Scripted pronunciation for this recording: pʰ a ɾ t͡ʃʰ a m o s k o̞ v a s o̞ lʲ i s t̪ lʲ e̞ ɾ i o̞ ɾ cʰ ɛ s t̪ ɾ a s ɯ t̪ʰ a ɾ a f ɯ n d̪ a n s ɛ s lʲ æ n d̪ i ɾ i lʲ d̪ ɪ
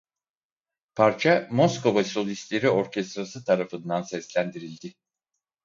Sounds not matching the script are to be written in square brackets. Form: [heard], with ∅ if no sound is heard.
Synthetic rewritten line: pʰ a ɾ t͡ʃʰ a m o s k o̞ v a s o̞ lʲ i s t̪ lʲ e̞ ɾ i o̞ ɾ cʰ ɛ s t̪ ɾ a s ɯ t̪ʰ a ɾ a f ɯ n d̪ a n s ɛ s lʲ æ n d̪ i ɾ i lʲ d̪ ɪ